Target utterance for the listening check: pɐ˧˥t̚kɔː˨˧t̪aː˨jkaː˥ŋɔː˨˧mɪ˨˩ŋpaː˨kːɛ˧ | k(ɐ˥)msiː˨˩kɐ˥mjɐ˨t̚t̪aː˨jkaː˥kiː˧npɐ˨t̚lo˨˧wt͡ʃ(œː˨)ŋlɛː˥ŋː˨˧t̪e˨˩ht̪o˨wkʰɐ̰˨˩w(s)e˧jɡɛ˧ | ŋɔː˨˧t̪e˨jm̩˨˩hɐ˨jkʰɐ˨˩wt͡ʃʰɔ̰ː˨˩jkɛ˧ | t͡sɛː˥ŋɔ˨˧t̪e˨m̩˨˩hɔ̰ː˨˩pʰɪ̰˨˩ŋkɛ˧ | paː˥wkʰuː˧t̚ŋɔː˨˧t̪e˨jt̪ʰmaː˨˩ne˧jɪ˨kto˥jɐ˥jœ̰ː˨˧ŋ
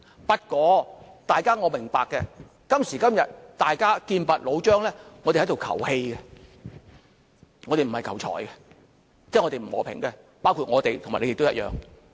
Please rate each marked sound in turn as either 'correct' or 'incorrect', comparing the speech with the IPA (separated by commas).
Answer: correct, incorrect, incorrect